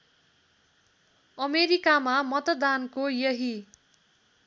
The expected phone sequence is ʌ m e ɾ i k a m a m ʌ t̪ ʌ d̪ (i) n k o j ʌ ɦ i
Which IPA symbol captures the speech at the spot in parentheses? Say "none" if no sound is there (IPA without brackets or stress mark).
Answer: a